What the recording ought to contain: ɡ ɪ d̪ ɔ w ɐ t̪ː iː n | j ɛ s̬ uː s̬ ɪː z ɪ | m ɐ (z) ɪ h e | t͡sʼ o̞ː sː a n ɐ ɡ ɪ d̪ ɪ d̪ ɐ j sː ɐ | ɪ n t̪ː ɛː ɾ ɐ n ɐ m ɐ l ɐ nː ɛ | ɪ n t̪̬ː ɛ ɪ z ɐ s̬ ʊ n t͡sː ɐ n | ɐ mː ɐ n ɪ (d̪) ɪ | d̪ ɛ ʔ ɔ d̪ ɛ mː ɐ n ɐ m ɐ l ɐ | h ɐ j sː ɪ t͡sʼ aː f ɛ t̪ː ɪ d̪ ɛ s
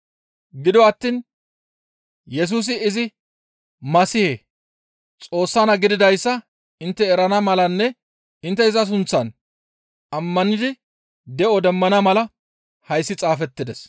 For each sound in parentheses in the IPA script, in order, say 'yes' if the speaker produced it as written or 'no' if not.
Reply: no, yes

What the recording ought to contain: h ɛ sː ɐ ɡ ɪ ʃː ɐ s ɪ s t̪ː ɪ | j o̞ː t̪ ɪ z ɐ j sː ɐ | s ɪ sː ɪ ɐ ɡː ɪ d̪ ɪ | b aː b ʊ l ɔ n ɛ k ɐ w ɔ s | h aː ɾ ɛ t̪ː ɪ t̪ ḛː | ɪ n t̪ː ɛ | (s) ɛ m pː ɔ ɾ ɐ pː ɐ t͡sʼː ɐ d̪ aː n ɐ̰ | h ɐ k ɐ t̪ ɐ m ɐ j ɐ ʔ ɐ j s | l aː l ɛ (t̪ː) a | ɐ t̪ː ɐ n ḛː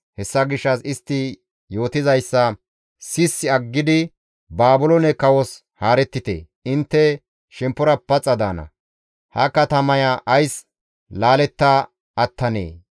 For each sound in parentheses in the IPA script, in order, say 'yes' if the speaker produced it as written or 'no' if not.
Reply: no, yes

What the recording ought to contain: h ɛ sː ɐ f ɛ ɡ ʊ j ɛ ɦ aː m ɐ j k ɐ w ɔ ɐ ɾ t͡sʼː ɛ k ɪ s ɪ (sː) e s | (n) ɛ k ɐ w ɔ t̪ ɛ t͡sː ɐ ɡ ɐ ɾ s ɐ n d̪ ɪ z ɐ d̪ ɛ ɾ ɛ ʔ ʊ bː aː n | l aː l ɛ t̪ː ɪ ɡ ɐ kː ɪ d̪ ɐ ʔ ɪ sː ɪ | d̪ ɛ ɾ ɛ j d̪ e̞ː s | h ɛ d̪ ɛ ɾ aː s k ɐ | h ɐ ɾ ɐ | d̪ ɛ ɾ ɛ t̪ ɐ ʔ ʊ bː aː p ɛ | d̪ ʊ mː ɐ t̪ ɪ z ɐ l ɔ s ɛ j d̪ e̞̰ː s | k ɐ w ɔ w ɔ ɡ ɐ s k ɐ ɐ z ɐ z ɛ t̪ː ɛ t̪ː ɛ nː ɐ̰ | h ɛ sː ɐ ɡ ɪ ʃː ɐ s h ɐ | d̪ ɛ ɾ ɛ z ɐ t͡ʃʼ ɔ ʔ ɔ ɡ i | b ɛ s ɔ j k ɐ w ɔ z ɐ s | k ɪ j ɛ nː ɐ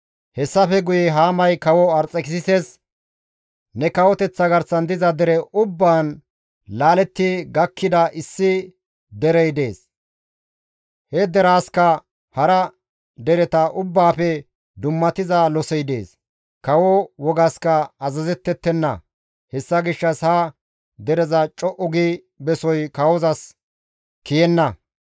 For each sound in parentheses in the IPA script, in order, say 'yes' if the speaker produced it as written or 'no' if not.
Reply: no, yes

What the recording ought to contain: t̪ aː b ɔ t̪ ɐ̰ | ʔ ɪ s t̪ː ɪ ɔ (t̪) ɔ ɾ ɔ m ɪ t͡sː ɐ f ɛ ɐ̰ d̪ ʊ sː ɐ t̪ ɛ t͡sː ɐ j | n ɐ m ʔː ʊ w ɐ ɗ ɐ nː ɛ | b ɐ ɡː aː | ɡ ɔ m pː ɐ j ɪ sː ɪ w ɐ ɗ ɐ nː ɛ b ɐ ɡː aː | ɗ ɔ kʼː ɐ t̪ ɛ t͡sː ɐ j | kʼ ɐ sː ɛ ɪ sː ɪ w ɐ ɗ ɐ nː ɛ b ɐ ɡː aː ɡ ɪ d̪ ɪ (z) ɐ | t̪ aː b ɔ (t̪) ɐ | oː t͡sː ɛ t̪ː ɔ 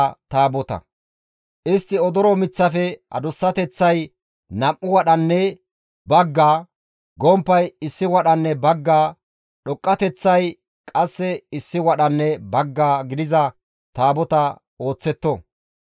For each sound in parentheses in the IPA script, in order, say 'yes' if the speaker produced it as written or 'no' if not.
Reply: no, yes, yes

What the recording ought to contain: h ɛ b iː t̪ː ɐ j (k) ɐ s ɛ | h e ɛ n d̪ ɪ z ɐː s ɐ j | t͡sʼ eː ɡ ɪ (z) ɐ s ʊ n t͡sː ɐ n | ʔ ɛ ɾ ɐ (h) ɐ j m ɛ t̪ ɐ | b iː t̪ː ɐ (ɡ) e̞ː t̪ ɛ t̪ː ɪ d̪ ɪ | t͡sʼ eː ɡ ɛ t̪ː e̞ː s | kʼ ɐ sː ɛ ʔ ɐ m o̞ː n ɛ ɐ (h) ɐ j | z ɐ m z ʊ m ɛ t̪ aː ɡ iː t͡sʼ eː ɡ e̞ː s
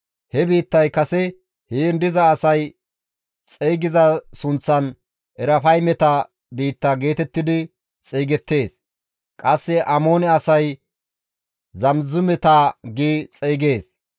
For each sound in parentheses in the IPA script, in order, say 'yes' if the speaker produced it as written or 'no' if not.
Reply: yes, yes, no, yes, no

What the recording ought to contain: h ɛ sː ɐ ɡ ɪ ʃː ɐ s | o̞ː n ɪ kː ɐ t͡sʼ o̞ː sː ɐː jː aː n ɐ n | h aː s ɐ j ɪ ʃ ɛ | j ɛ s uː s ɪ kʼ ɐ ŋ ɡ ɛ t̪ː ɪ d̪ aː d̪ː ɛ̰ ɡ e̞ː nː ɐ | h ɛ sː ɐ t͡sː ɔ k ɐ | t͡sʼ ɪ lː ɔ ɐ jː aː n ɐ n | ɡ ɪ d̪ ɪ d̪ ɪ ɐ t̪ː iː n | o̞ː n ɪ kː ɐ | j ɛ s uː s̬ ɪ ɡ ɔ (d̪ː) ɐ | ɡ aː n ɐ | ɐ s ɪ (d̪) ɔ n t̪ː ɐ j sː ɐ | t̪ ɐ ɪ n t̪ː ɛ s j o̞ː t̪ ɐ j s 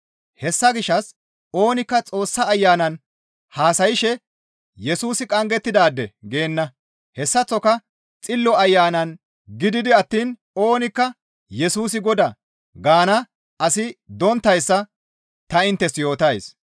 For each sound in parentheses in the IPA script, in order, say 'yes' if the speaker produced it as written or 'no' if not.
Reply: no, yes

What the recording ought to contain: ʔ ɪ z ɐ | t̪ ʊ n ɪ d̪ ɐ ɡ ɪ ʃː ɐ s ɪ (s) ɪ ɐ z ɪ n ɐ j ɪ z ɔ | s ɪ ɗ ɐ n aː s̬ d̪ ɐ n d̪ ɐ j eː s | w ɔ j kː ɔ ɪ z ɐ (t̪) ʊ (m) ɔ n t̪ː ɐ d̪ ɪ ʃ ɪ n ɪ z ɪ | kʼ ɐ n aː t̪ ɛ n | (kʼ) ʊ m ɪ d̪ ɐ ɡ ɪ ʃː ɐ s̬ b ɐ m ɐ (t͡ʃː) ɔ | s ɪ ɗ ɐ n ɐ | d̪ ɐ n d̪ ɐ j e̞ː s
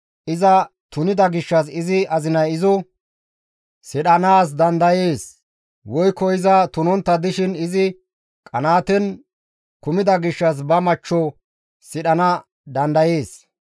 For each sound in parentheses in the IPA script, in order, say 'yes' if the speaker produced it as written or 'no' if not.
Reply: no, yes, no, no, yes

